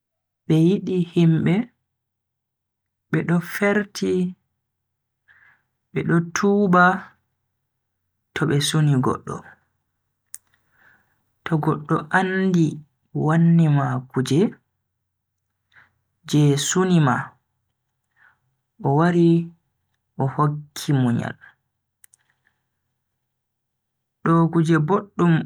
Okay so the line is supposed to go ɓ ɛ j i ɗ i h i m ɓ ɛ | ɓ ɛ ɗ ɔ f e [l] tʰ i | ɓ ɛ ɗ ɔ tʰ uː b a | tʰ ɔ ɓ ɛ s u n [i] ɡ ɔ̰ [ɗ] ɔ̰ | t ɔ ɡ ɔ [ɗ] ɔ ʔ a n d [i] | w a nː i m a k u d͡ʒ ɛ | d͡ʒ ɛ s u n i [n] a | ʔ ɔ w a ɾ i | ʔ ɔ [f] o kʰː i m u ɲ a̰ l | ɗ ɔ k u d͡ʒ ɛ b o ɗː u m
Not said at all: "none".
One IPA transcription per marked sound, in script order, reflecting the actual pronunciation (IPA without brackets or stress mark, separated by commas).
ɾ, i, ɗː, ɗː, i, m, h